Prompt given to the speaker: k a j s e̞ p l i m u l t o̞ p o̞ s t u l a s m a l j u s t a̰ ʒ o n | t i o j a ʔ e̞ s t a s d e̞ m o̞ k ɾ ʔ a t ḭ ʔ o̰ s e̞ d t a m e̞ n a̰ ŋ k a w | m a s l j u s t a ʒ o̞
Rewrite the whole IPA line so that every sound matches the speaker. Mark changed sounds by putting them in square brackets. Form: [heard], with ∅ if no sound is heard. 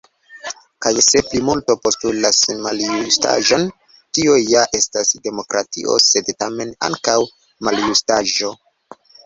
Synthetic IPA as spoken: k a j s e̞ p l i m u l t o̞ p o̞ s t u l a s m a l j u s t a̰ ʒ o n | t i o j a ʔ e̞ s t a s d e̞ m o̞ k ɾ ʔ a t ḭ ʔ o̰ s e̞ d t a m e̞ n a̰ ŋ k a w | m a [∅] l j u s t a ʒ o̞